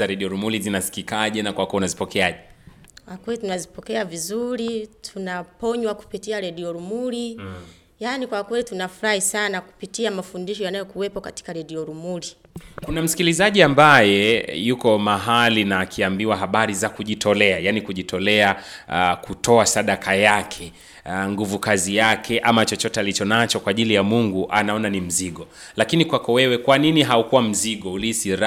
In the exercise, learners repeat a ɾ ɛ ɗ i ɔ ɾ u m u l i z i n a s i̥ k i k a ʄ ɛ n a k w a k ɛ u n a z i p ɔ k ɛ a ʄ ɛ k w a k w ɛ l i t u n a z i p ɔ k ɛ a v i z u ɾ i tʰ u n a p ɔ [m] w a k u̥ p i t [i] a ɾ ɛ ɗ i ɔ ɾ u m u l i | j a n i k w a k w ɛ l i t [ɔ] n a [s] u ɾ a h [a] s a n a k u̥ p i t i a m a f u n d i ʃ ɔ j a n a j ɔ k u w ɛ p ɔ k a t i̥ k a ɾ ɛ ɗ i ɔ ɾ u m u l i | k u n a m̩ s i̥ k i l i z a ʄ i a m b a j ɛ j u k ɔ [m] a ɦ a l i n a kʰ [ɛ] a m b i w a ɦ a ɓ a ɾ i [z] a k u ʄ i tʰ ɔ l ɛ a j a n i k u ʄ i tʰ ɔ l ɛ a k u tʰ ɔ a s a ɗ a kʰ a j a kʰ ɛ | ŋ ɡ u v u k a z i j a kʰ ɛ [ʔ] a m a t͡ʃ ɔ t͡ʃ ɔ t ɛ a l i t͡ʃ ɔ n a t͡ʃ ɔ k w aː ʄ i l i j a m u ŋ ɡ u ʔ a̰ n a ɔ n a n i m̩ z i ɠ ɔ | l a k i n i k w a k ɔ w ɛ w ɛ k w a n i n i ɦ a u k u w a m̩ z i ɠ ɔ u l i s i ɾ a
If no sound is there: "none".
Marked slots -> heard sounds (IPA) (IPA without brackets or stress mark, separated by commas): ɲ, i, u, f, i, m, i, z, ʔ